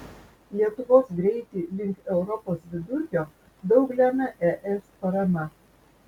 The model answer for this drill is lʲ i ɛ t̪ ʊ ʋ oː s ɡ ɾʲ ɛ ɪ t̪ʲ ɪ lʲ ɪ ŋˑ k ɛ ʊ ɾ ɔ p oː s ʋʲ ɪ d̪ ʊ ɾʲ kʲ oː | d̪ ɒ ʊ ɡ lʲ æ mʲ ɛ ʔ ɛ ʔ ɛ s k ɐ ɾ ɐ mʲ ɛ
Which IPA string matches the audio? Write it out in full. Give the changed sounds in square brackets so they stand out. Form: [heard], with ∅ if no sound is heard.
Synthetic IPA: lʲ i ɛ t̪ ʊ ʋ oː s ɡ ɾʲ ɛ ɪ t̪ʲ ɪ lʲ ɪ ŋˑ k ɛ ʊ ɾ ɔ p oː s ʋʲ ɪ d̪ ʊ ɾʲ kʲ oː | d̪ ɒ ʊ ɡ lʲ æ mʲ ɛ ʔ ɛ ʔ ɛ s [p] ɐ ɾ ɐ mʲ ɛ

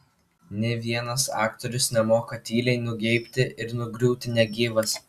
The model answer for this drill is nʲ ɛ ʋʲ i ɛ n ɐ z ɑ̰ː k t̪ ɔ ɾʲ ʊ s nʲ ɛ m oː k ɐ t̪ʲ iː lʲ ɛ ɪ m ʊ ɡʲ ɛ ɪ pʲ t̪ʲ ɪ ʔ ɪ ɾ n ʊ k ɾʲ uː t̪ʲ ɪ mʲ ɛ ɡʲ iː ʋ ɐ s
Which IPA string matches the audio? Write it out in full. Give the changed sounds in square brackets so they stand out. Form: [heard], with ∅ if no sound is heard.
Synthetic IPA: nʲ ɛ ʋʲ i ɛ n ɐ [s] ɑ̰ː k t̪ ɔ ɾʲ ʊ s nʲ ɛ m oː k ɐ t̪ʲ iː lʲ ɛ ɪ [n] ʊ ɡʲ ɛ ɪ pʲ t̪ʲ ɪ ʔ ɪ ɾ n ʊ [ɡ] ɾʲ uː t̪ʲ ɪ [nʲ] ɛ ɡʲ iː ʋ ɐ s

